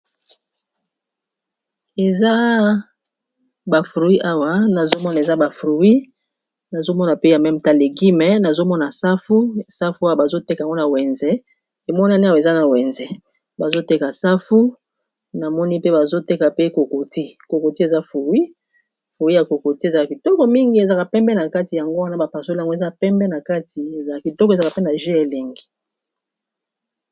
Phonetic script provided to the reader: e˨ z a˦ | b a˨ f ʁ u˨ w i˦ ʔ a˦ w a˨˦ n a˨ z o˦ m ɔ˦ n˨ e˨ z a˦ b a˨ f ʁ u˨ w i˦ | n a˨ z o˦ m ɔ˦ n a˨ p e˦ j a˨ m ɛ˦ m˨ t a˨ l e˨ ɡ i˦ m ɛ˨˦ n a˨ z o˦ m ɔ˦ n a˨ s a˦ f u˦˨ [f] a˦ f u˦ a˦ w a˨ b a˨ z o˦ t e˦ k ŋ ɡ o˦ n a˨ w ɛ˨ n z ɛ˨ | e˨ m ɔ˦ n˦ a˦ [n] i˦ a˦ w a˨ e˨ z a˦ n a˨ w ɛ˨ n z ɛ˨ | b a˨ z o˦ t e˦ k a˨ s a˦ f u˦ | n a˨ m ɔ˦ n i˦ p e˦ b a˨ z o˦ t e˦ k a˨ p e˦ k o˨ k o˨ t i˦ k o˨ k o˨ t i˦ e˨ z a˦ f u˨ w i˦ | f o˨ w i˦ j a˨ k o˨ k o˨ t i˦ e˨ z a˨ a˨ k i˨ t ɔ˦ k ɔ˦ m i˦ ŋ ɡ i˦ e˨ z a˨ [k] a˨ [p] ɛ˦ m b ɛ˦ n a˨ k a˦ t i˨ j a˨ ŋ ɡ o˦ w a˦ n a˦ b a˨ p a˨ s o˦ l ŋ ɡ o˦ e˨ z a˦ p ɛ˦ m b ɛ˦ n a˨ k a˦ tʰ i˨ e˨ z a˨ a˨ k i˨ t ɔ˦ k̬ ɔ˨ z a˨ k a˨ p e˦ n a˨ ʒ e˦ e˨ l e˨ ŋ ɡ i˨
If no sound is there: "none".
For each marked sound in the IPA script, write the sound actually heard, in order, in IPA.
s, n, k, p

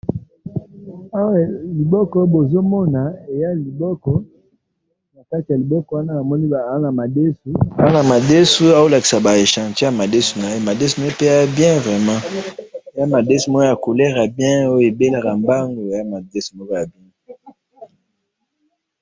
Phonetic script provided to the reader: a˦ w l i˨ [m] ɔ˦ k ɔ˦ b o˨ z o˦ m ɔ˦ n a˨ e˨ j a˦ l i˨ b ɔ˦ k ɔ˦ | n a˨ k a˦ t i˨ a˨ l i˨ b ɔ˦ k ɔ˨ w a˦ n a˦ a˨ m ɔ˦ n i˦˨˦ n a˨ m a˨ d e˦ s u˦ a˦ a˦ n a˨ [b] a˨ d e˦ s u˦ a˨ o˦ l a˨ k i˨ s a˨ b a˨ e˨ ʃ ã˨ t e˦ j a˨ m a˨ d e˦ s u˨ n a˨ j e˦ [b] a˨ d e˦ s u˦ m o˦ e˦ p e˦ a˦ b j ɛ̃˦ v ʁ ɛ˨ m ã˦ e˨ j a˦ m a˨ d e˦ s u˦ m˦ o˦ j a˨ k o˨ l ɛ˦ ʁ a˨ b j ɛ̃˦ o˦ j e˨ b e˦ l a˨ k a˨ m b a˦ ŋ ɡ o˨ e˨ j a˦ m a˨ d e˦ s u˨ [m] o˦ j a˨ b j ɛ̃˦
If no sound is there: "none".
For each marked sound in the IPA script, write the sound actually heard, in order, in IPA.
b, m, m, m

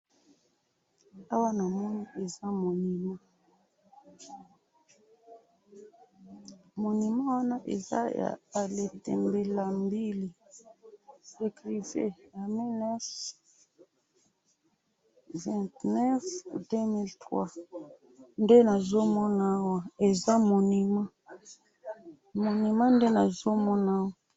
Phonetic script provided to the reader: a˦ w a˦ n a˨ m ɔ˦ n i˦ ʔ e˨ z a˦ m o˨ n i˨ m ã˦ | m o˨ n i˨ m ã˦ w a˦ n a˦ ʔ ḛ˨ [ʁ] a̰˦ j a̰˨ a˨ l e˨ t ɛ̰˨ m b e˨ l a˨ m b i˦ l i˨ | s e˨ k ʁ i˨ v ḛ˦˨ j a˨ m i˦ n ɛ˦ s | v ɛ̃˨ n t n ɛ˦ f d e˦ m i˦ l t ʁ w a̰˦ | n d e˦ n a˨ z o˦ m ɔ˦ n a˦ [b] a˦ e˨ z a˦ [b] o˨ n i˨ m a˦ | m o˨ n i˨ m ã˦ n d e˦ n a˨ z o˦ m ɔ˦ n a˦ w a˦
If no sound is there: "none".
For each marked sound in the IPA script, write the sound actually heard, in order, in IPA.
z, w, m

